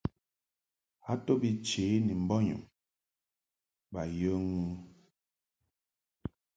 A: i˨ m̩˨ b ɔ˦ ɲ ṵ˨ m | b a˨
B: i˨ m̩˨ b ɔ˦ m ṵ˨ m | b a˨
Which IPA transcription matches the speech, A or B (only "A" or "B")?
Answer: A